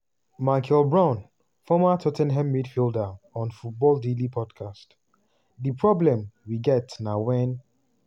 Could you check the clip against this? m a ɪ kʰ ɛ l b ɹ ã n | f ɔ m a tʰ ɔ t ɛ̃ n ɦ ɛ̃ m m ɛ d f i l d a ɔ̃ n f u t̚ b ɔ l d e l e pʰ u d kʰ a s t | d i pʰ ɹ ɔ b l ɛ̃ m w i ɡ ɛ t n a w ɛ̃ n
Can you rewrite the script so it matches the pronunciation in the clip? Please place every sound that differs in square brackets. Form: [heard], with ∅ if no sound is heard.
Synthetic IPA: m a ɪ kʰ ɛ l b ɹ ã n | f ɔ m a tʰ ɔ t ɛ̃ n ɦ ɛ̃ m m [i] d f i l d a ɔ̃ n f u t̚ b ɔ l d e l [i] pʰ [ɔ] d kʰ a s t | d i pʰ ɹ ɔ b l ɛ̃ m w i ɡ ɛ t n a w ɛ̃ n

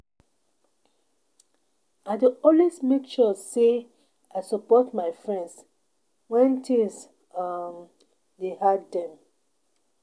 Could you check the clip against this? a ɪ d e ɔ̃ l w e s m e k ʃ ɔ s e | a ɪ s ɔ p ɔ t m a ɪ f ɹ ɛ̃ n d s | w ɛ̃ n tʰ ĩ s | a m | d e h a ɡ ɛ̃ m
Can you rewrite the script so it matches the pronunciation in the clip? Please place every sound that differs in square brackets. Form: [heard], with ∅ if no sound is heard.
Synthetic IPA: a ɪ d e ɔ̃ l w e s m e k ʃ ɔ s e | a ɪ s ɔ p ɔ t m a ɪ f ɹ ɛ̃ n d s | w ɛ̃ n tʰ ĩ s | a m | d e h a [d] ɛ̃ m

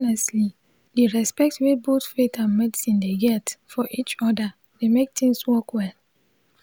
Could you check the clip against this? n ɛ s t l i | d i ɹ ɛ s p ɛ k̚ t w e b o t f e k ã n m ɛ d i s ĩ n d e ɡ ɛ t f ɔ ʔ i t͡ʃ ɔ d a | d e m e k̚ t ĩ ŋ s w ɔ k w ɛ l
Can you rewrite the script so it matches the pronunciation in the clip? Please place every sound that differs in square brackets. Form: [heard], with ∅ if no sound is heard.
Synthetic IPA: n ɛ s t l i | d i ɹ ɛ s p ɛ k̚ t w e b o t f e [t] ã n m ɛ d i s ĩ n d e ɡ ɛ t f ɔ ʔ i t͡ʃ ɔ d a | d e m e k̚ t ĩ ŋ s w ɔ k w ɛ l

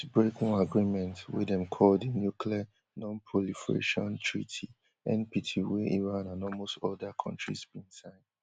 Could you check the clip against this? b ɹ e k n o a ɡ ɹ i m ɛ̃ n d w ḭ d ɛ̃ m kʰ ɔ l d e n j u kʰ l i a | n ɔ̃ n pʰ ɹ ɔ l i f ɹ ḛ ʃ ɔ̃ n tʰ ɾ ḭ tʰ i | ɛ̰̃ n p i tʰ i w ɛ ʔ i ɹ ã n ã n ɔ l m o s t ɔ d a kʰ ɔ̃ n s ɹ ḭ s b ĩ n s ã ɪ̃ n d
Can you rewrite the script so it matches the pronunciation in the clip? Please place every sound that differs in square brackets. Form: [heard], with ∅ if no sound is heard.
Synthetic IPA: b ɹ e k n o a ɡ ɹ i m ɛ̃ n [t] w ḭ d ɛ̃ m kʰ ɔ l d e n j u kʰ l i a | n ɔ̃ n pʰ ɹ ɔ l i f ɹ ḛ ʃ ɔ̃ n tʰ [ɹ] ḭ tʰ i | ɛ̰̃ n p i tʰ i w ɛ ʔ i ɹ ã n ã n ɔ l m o s t ɔ d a kʰ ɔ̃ n [t] ɹ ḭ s b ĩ n s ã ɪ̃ n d

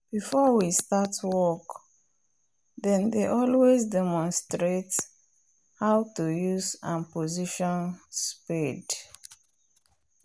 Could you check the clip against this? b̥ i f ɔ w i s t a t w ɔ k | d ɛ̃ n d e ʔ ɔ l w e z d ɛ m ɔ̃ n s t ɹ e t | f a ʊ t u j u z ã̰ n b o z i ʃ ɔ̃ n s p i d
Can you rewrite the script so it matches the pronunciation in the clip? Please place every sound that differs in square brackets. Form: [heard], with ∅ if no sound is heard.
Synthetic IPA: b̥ i f ɔ w i s t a t w ɔ k | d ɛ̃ n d e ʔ ɔ l w e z d ɛ m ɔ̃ n s t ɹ e t | [h] a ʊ t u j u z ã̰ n [p] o z i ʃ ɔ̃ n s p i d

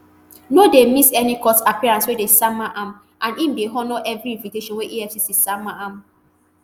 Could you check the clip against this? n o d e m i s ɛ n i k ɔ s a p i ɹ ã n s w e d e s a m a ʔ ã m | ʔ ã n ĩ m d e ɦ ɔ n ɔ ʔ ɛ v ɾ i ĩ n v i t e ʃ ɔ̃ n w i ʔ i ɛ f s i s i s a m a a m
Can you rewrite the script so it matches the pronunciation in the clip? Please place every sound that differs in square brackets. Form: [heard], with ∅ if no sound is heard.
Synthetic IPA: n o d e m i s ɛ n i k ɔ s a p i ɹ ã n s w e d e s a m a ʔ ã m | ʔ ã n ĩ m d e ɦ ɔ n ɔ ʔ ɛ v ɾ i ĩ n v i t e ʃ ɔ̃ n w [e] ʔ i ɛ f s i s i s a m a a m

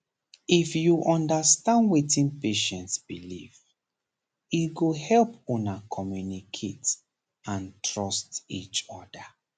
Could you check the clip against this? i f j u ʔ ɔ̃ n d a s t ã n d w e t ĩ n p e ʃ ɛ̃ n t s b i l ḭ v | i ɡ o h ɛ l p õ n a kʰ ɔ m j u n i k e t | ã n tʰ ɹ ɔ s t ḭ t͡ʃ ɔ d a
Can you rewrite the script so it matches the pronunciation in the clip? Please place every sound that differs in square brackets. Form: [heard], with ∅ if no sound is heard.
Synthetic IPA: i f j u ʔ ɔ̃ n d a s t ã n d w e t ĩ n p e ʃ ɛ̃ n t s b i l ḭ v | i ɡ o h ɛ l p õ n a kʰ ɔ m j u n i [kʰ] e t | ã n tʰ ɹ ɔ s t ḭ t͡ʃ ɔ d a

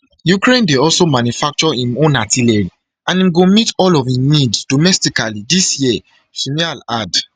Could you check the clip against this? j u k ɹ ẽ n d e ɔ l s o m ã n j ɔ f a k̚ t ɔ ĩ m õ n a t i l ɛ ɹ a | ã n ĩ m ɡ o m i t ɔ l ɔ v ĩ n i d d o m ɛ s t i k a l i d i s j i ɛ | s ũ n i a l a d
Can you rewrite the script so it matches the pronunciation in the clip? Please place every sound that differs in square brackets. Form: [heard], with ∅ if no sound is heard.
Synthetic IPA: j u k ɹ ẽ n d e ɔ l s o m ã n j [u] f a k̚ [t͡ʃ] ɔ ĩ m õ n a t i l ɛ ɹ [i] | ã n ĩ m ɡ o m i t ɔ l ɔ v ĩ n i d d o m ɛ s t i k a l i d i s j i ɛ | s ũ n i a l a d

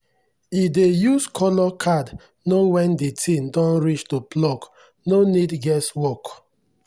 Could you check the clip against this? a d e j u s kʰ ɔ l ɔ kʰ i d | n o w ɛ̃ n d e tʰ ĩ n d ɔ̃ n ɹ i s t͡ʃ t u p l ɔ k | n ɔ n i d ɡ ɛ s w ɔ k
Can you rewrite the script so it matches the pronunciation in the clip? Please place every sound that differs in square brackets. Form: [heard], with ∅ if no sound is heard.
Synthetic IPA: [i] d e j u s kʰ ɔ l ɔ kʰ [a] d | n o w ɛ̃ n d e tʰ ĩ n d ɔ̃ n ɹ i [∅] t͡ʃ t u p l ɔ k | n [o] n i d ɡ ɛ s w ɔ k

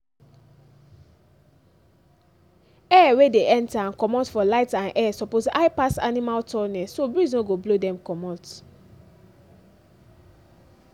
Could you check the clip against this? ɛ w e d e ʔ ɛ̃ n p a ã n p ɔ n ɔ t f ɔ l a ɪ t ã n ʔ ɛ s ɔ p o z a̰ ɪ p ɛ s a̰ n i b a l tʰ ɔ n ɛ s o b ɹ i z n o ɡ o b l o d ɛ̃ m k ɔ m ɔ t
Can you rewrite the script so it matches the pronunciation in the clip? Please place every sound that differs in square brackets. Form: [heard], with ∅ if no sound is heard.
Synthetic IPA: ɛ w e d e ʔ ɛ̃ n [t] a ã n [k] ɔ [m] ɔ t f ɔ l a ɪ t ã n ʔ ɛ s ɔ p o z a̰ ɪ p [a] s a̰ n i [m] a l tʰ ɔ n ɛ s o b ɹ i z n o ɡ o b l o d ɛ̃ m k ɔ m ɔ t

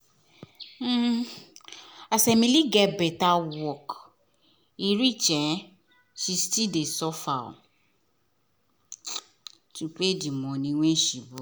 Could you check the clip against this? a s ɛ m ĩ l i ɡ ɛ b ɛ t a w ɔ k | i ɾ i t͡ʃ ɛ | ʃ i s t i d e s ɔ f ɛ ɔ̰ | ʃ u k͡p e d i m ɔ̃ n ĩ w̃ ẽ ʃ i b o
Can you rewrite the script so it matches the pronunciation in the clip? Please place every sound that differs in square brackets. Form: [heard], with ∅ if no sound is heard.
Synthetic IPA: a s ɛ m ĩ l i ɡ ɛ b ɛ t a w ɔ k | i ɾ i t͡ʃ ɛ | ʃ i s t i d e s ɔ f [a] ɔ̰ | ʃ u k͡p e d i m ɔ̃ n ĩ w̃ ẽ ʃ i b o

